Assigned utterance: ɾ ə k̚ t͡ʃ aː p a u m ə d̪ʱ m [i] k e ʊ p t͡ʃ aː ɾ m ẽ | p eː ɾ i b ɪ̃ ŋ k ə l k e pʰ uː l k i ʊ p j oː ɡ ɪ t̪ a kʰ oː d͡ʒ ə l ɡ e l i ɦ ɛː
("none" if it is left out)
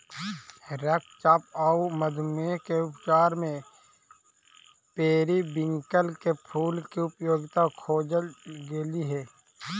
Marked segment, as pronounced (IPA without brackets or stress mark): e